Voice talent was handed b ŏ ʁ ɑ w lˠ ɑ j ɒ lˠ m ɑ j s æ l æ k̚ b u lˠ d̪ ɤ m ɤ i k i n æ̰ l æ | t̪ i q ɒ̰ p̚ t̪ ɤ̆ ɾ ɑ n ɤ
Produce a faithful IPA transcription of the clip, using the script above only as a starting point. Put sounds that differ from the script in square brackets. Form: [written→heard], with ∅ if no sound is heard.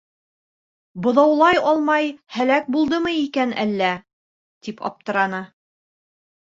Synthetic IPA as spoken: b ŏ [ʁ→ð] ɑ w lˠ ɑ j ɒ lˠ m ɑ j [s→h] æ l æ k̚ b u lˠ d̪ ɤ m ɤ i k [i→æ] n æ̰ [l→lː] æ | t̪ i [q→p] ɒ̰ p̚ t̪ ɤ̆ ɾ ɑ n ɤ